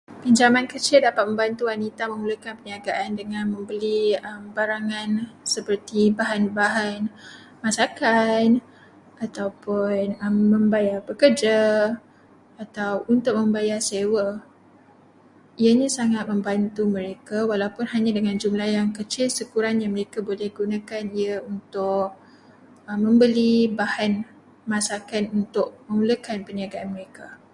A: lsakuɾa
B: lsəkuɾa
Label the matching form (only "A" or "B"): B